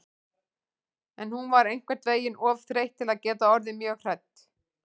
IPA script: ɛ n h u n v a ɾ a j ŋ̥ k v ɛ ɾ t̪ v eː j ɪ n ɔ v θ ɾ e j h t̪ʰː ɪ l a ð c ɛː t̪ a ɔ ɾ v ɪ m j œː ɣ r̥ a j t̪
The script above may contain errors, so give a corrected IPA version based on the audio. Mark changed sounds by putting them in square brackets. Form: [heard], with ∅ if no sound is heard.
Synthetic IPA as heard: ɛ n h u n v a ɾ [e] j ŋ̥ k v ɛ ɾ t̪ v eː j ɪ n ɔ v θ ɾ e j h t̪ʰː ɪ l a ð c ɛː t̪ a ɔ ɾ [ð] ɪ m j œː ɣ r̥ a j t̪